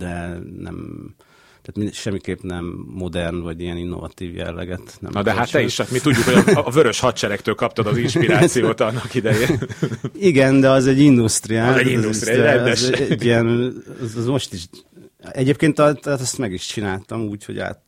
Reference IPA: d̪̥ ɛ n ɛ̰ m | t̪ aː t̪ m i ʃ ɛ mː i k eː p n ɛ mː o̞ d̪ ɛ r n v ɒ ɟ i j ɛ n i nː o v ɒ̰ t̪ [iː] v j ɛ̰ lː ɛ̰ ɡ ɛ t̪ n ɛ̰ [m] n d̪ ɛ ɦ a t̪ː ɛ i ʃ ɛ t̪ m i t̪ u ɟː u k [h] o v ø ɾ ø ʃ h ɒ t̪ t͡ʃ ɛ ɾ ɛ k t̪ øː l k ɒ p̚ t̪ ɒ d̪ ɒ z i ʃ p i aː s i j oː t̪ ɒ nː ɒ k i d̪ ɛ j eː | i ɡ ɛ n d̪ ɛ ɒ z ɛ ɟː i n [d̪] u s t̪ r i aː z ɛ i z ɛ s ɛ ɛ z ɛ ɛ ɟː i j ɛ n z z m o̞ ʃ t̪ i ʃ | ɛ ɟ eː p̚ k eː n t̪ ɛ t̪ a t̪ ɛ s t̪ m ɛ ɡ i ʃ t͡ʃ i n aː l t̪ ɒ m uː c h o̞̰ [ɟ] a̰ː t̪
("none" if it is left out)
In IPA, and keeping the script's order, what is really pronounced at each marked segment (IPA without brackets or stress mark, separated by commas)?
iː, m, h, d̪, ɟ